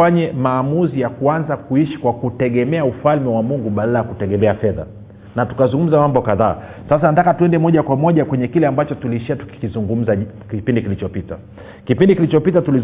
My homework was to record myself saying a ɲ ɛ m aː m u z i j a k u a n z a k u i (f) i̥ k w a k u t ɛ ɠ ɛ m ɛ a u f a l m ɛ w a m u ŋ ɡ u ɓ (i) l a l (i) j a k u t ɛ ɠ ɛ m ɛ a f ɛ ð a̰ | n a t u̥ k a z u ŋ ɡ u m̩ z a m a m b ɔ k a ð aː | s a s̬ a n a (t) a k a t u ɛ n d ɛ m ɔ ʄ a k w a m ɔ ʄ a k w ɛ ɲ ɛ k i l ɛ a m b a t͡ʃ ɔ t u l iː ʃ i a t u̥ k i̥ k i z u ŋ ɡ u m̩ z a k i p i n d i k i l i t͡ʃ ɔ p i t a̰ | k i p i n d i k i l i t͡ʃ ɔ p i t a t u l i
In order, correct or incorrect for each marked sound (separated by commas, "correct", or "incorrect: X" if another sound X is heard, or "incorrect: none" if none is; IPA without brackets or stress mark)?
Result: incorrect: ʃ, incorrect: a, incorrect: a, correct